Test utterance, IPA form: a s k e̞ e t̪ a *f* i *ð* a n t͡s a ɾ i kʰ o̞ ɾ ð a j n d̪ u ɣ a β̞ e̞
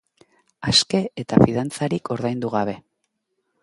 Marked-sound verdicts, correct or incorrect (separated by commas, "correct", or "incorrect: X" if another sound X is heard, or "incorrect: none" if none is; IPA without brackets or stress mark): correct, correct